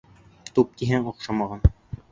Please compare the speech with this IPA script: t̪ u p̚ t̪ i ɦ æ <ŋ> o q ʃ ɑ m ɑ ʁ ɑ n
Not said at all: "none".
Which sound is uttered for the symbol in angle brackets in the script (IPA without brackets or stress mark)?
ŋ